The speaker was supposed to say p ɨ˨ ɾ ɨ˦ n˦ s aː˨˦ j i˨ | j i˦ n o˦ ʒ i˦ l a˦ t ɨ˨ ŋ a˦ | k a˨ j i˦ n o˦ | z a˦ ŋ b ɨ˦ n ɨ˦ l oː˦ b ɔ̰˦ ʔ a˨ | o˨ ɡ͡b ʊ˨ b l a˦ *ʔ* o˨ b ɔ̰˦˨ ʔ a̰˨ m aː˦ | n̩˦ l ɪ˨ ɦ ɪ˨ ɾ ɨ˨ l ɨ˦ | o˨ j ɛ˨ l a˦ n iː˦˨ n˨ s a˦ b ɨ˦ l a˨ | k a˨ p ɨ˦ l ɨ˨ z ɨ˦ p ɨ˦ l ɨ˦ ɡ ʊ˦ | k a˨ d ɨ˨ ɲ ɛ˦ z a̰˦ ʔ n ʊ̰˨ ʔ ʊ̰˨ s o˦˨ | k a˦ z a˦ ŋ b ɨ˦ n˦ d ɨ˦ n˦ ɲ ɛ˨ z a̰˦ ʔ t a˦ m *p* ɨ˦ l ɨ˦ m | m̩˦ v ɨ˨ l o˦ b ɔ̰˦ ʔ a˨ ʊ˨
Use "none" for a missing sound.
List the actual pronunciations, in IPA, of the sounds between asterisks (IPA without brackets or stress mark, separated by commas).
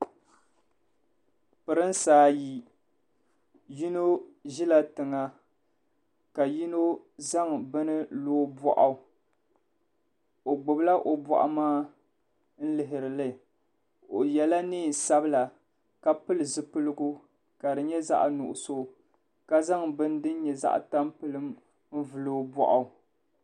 ʔ, p